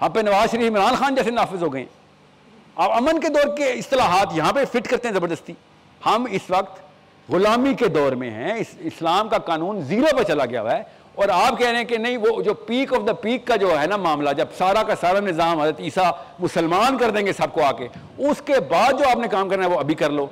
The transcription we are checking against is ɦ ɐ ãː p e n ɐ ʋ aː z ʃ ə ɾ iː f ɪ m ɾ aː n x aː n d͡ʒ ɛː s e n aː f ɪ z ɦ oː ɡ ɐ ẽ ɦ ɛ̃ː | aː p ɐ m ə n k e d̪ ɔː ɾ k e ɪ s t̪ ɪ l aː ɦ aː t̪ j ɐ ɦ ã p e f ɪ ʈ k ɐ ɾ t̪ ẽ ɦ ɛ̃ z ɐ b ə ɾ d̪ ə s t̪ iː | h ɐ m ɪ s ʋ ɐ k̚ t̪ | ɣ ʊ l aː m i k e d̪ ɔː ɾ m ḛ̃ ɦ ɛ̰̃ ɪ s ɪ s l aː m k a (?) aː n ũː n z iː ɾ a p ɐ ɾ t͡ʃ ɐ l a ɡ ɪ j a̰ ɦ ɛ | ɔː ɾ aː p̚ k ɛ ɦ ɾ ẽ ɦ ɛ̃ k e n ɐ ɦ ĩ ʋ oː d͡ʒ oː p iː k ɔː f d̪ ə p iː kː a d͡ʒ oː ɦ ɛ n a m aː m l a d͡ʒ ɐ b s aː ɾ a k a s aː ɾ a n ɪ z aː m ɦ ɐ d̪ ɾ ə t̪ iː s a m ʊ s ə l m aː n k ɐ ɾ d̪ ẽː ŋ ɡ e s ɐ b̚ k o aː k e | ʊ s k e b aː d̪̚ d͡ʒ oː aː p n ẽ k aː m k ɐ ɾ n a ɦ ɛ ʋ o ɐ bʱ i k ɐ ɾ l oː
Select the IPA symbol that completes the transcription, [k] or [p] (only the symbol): k